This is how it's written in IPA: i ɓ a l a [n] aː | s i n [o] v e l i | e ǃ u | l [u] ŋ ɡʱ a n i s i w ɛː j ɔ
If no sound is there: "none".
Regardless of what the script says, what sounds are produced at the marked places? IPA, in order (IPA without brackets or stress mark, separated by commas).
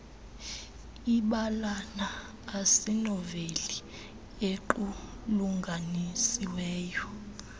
n, ɔ, u